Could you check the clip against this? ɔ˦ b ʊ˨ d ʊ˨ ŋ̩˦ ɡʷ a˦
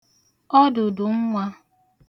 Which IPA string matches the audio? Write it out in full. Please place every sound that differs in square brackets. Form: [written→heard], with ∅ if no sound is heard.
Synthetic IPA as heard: ɔ˦ [b→d] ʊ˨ d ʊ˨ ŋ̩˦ [ɡʷ→ŋʷ] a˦